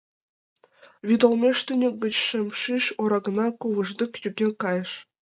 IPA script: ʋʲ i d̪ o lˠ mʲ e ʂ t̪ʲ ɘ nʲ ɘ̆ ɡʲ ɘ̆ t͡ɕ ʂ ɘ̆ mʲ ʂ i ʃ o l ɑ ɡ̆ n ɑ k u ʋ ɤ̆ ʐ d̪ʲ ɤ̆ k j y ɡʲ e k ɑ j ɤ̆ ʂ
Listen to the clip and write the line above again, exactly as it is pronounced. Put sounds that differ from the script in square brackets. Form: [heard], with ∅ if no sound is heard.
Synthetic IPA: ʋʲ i d̪ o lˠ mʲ e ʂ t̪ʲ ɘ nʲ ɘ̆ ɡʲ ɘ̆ t͡ɕ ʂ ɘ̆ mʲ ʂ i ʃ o [ɾ] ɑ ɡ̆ n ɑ k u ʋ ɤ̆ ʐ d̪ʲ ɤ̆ k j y ɡʲ e k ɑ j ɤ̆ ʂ

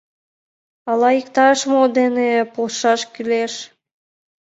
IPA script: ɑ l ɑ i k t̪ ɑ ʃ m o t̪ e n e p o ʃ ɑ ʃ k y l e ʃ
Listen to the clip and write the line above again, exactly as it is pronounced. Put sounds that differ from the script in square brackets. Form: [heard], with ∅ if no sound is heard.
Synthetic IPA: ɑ l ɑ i k t̪ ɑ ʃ m o [d̪] e n e p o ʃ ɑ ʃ k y l e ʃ

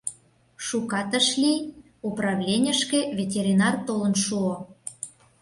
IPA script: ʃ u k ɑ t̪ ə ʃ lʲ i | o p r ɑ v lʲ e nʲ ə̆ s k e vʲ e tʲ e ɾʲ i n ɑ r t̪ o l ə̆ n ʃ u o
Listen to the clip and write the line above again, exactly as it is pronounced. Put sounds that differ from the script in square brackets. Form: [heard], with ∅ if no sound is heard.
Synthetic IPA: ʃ u k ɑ t̪ ə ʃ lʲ i | [u] p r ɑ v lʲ e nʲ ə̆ [ʃ] k e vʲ e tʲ e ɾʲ i n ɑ r t̪ o l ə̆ n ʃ u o

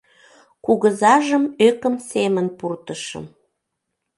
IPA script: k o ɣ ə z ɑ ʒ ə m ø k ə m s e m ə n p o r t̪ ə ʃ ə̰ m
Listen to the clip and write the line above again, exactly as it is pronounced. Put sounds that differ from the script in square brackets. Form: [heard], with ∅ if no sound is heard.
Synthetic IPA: k [u] ɣ ə z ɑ ʒ ə m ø k ə m s e m ə n p [u] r t̪ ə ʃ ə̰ m

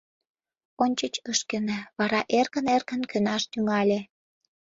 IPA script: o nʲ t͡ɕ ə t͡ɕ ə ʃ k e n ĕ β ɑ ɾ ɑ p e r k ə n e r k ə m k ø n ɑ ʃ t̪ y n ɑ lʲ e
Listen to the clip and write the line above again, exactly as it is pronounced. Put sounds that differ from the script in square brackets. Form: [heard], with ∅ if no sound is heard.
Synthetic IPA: o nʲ t͡ɕ ə t͡ɕ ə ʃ k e n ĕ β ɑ ɾ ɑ [ʔ] e r k ə n e r k ə [n] k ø n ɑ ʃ t̪ y [ŋ] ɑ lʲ e

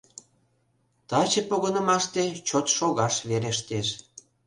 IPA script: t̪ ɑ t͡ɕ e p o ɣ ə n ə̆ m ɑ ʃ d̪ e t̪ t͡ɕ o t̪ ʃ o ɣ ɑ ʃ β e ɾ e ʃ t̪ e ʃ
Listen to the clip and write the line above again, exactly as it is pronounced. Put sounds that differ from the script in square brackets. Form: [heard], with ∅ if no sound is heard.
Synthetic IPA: t̪ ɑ t͡ɕ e p o ɣ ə n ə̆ m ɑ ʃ [t̪] e [∅] t͡ɕ o t̪ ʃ o ɣ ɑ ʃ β e ɾ e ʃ t̪ e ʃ

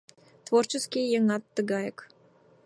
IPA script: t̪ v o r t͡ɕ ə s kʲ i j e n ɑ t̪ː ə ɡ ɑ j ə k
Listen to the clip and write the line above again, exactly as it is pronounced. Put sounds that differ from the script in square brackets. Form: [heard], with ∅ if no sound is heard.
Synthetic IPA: t̪ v o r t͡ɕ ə s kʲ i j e [ŋ] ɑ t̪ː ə ɡ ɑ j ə k

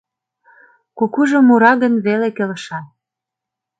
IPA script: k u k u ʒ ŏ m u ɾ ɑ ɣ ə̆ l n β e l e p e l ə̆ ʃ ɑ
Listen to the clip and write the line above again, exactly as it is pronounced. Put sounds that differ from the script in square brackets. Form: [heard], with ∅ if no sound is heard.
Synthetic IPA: k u k u ʒ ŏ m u ɾ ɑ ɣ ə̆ [∅] n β e l e [k] e l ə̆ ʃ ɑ

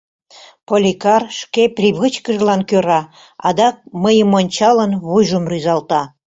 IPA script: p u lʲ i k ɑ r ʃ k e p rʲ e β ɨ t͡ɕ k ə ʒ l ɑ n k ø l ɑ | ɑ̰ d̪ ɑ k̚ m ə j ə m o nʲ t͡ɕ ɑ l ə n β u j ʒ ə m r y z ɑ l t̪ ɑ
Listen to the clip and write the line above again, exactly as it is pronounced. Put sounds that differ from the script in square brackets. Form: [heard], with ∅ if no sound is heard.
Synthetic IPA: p [o] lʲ i k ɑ r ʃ k e p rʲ [i] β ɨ t͡ɕ k ə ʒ l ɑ n k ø [ɾ] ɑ | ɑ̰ d̪ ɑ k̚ m ə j ə m o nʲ t͡ɕ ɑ l ə n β u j ʒ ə m r y z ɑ l t̪ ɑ

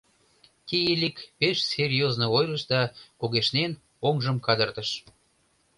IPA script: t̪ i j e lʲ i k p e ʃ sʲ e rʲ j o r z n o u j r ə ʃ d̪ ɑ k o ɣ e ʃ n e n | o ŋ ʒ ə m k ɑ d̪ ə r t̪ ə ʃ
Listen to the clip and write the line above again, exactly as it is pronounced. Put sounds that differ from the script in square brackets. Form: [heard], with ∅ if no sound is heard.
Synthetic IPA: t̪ i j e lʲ i k p e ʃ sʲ e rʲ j o [∅] z n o [o] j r ə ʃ d̪ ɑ k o ɣ e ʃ n e n | o ŋ ʒ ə m k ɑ d̪ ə r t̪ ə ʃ

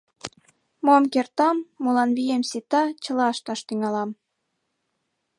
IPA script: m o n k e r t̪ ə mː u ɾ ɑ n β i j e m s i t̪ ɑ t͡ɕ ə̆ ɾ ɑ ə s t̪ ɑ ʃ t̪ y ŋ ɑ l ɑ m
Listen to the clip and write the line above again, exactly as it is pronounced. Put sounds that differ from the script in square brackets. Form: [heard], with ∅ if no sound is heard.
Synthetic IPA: m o [m] k e r t̪ [ɑ] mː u [l] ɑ n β i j e m s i t̪ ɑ t͡ɕ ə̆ [l] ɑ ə [ʃ] t̪ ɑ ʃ t̪ y ŋ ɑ l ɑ m

